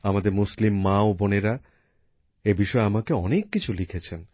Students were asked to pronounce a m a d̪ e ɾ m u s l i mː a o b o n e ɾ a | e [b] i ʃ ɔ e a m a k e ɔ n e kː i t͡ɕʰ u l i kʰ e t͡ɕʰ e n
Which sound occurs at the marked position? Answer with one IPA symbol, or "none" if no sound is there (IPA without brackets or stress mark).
b